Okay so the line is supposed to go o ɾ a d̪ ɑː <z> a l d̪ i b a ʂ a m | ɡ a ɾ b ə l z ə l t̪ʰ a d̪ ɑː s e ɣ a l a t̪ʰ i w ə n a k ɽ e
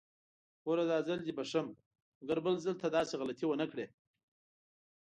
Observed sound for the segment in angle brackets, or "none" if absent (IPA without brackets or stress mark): z